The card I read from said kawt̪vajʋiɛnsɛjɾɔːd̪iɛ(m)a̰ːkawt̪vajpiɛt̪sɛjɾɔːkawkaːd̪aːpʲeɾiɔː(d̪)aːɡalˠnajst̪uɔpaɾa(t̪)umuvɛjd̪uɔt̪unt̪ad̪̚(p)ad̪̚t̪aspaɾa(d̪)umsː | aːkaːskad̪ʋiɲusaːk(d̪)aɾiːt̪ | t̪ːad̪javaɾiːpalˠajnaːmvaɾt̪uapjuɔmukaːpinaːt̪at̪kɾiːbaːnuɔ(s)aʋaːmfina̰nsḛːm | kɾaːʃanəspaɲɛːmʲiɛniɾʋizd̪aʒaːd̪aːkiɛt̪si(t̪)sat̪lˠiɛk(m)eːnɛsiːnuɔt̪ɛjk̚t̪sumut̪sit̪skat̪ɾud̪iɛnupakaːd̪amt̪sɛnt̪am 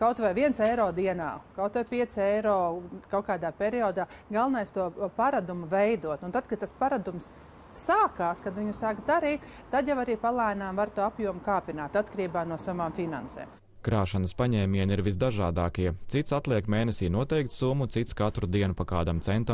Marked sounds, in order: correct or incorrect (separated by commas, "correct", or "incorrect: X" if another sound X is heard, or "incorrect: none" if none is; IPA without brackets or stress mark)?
incorrect: n, correct, incorrect: d̪, incorrect: k, correct, correct, correct, correct, correct